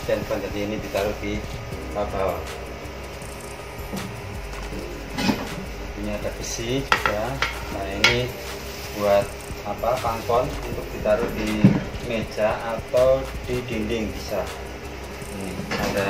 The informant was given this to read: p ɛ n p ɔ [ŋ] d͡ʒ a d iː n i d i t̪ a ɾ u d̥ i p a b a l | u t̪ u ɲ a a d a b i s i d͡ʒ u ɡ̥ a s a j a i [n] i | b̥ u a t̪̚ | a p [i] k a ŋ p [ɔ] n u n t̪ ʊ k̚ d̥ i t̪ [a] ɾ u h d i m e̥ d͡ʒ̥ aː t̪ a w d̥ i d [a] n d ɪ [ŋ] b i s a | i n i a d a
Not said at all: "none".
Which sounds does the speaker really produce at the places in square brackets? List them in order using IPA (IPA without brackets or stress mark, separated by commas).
n, n, a, ɔ, a, i, ŋ